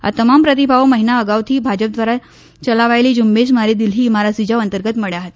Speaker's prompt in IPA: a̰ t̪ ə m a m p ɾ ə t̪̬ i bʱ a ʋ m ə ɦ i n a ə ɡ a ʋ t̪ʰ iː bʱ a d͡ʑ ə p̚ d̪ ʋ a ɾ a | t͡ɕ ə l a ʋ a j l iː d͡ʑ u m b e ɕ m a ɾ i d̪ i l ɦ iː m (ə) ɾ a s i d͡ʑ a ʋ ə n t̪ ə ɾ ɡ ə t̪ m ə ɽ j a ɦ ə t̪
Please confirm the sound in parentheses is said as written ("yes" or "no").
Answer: no